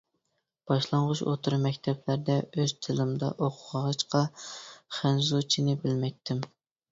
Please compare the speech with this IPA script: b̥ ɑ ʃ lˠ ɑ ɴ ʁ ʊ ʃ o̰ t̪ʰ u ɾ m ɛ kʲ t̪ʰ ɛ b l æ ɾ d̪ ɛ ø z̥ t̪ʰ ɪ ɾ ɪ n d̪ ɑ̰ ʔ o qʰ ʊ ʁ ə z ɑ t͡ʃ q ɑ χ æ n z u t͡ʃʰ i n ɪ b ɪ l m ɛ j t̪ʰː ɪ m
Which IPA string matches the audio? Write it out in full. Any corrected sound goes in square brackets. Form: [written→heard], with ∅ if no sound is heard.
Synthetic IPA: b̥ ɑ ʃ lˠ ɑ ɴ ʁ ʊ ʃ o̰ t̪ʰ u ɾ m ɛ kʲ t̪ʰ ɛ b l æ ɾ d̪ ɛ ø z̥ t̪ʰ ɪ [ɾ→l] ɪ [n→m] d̪ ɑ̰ ʔ o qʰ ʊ ʁ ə [z→ʁ] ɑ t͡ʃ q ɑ χ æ n z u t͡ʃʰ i n ɪ b ɪ l m ɛ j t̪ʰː ɪ m

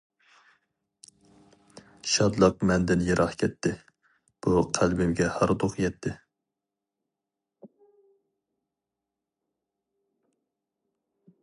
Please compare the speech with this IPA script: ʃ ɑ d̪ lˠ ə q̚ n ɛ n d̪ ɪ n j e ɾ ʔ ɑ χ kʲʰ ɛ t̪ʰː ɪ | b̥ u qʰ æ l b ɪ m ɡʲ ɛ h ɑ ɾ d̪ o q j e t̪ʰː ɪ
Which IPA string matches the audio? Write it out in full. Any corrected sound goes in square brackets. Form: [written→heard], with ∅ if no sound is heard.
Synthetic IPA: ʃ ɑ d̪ lˠ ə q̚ [n→m] ɛ n d̪ ɪ n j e ɾ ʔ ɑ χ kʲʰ ɛ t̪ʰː ɪ | b̥ u qʰ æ l b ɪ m ɡʲ ɛ h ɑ ɾ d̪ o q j [e→ɛ] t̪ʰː ɪ

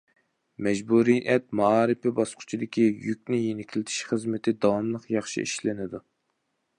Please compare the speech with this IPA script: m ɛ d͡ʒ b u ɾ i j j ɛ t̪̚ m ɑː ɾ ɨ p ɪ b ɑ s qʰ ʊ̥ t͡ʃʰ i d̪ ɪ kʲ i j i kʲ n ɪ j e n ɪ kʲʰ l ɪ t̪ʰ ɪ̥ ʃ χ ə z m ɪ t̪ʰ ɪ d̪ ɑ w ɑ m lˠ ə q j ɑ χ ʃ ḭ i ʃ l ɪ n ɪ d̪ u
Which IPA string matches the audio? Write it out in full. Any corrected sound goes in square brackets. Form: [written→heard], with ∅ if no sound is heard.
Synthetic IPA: m ɛ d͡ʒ b u ɾ i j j ɛ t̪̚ m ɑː ɾ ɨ p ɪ b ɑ s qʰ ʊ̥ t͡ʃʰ i d̪ ɪ kʲ i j [i→y] kʲ n ɪ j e n ɪ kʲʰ l ɪ t̪ʰ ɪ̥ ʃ χ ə z m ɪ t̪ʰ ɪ d̪ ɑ w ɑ m lˠ ə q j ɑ χ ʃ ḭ i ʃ l ɪ n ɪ d̪ u

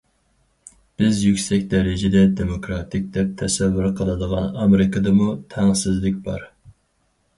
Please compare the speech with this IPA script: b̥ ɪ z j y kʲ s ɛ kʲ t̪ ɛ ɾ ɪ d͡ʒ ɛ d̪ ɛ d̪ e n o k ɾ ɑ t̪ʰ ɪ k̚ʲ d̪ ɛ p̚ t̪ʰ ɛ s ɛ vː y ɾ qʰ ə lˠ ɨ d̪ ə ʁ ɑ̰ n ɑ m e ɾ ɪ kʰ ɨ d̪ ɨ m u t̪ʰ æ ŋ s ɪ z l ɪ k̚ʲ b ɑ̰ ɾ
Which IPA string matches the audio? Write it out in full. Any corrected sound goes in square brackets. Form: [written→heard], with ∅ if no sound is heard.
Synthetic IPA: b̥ ɪ z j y kʲ s ɛ kʲ [t̪→d̪] ɛ ɾ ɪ d͡ʒ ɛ d̪ ɛ d̪ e [n→m] o k ɾ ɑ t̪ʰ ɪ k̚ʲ d̪ ɛ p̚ t̪ʰ ɛ s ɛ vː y ɾ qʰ ə lˠ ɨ d̪ ə ʁ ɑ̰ n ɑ m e ɾ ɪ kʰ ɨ d̪ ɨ m u t̪ʰ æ ŋ s ɪ z l ɪ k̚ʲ b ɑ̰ ɾ

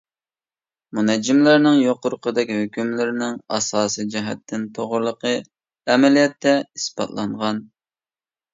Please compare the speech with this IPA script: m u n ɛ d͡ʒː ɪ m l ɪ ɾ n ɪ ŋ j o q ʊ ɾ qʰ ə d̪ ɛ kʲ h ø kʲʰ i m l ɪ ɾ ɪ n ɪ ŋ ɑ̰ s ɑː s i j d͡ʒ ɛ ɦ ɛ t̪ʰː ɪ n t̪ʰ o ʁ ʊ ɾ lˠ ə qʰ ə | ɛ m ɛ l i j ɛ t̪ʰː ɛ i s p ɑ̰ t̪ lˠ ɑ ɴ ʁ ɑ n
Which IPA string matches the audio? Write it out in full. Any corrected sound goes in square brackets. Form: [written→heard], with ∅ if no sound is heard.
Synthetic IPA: m u n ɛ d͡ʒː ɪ m l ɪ ɾ n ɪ ŋ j o q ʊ ɾ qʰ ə d̪ ɛ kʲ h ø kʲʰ [i→y] m l ɪ ɾ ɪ n ɪ ŋ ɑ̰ s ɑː s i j d͡ʒ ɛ ɦ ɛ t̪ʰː ɪ n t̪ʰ o ʁ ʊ ɾ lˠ ə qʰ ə | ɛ m ɛ l i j ɛ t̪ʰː ɛ i s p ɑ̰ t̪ lˠ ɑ ɴ ʁ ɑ n

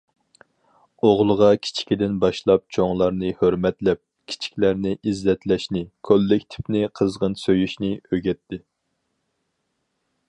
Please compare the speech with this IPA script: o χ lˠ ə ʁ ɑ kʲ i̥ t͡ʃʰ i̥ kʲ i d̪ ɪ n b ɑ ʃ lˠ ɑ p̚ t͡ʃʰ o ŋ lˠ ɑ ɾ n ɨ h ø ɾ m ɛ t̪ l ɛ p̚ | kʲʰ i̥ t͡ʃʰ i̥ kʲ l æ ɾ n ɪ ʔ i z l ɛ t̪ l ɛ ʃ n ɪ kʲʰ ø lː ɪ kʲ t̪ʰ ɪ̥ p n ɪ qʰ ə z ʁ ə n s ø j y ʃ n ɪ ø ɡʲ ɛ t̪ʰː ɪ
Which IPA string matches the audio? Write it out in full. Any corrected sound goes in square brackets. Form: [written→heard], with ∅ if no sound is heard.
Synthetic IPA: o [χ→ʁ] lˠ ə ʁ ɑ [kʲ→kʲʰ] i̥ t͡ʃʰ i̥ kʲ i d̪ ɪ n b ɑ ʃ lˠ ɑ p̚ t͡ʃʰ o ŋ lˠ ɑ ɾ n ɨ h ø ɾ m ɛ t̪ l ɛ p̚ | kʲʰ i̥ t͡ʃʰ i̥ kʲ l æ ɾ n ɪ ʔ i z l ɛ t̪ l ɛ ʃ n ɪ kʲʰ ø lː ɪ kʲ t̪ʰ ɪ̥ p n ɪ qʰ ə z ʁ ə n s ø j y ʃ n ɪ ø ɡʲ ɛ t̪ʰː ɪ

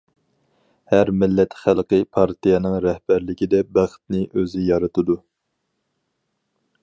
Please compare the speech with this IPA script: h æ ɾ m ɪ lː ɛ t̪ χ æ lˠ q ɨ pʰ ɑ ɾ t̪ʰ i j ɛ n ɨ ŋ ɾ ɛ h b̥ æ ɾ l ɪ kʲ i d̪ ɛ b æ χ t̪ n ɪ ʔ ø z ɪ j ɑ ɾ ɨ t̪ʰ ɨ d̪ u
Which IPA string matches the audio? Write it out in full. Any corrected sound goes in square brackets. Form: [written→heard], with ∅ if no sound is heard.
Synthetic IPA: h æ ɾ m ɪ lː ɛ t̪ χ æ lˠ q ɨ pʰ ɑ ɾ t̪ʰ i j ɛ n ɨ ŋ ɾ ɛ h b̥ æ ɾ l ɪ kʲ i d̪ ɛ b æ χ t̪ n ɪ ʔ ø z ɪ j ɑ ɾ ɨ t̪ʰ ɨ d̪ u

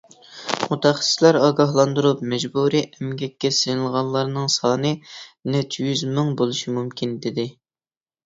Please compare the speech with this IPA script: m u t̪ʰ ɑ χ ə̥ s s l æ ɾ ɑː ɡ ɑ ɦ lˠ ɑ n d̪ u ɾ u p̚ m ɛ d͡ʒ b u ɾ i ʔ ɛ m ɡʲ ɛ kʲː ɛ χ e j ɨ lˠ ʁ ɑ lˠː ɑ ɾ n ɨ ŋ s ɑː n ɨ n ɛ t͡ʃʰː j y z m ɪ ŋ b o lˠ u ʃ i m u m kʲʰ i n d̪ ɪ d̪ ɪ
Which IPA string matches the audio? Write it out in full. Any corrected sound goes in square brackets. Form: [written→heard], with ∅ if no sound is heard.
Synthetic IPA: m u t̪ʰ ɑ χ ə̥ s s l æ ɾ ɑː ɡ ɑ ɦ lˠ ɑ n d̪ u ɾ u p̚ m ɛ d͡ʒ b u ɾ i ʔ ɛ m ɡʲ ɛ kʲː ɛ [χ→s] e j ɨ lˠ ʁ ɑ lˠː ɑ ɾ n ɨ ŋ s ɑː n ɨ n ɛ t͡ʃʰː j y z m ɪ ŋ b o lˠ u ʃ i m u m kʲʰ i n d̪ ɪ d̪ ɪ

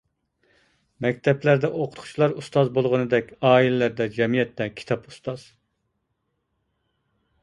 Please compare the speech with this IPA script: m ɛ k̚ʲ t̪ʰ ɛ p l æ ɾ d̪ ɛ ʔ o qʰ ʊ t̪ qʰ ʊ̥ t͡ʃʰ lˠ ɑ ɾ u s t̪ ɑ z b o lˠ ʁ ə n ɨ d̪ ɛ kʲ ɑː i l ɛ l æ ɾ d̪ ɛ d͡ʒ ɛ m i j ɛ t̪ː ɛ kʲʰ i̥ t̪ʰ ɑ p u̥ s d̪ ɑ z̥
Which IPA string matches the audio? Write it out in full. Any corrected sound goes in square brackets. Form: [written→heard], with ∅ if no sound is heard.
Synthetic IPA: m ɛ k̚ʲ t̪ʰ ɛ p l æ ɾ d̪ ɛ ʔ o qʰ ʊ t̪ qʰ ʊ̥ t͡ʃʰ lˠ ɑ ɾ u s t̪ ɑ z b o lˠ ʁ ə n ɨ d̪ ɛ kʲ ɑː i l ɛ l æ ɾ d̪ ɛ d͡ʒ ɛ m i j ɛ t̪ː ɛ kʲʰ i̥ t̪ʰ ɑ p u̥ s [d̪→t̪] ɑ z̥

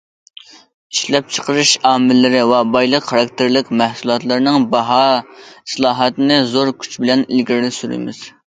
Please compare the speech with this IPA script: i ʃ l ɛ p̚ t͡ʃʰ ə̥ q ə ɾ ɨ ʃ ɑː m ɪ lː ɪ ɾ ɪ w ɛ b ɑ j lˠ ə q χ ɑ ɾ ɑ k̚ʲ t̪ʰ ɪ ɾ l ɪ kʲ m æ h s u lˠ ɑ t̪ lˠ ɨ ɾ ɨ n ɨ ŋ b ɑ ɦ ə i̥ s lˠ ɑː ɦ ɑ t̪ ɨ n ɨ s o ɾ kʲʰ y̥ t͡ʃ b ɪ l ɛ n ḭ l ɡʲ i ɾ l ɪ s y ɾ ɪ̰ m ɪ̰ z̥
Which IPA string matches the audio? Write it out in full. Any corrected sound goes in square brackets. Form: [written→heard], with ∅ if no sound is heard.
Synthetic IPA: i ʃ l ɛ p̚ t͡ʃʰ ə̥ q ə ɾ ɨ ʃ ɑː m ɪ lː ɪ ɾ ɪ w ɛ b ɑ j lˠ ə q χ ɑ ɾ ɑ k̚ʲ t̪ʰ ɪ ɾ l ɪ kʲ m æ h s u lˠ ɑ t̪ lˠ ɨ ɾ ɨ n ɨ ŋ b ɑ ɦ [ə→ɑ] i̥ s lˠ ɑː ɦ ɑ t̪ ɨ n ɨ [s→z] o ɾ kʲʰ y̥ t͡ʃ b ɪ l ɛ n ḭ l ɡʲ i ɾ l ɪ s y ɾ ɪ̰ m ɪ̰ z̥

